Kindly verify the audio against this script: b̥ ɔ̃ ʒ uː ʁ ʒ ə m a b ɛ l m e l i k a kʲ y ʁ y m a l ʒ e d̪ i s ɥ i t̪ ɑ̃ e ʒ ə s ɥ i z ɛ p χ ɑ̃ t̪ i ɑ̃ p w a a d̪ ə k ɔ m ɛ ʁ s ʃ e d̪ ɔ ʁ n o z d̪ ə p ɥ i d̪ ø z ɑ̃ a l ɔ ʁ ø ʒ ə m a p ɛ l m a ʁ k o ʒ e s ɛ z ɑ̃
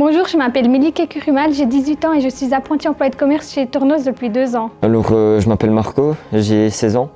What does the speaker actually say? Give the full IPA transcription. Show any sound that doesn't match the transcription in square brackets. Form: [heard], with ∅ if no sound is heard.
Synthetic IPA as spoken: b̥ ɔ̃ ʒ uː ʁ ʒ ə m a [p] ɛ l m e l i k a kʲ y ʁ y m a l ʒ e d̪ i [z] ɥ i t̪ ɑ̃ e ʒ ə s ɥ i z [a] p χ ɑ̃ t̪ i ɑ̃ p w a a d̪ ə k ɔ m ɛ ʁ s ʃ e [t̪] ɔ ʁ n o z d̪ ə p ɥ i d̪ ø z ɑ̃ a l ɔ ʁ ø ʒ ə m a p ɛ l m a ʁ k o ʒ e s ɛ z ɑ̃